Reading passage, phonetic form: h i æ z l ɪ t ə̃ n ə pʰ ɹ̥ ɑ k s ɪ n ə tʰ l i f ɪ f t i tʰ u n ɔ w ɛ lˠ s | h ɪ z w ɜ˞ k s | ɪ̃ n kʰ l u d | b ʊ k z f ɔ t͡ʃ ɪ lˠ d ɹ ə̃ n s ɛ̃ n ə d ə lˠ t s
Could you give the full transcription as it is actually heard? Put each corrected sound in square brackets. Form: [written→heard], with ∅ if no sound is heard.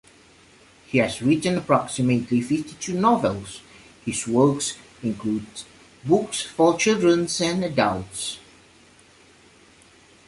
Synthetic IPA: h i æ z [l→ɹ] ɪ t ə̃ n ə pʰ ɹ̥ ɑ k s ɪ [n→m] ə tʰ l i f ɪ f t i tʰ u n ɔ [w→v] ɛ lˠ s | h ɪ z w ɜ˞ k s | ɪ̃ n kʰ l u d | b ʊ k [z→s] f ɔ t͡ʃ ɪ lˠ d ɹ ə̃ n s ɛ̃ n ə d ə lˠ t s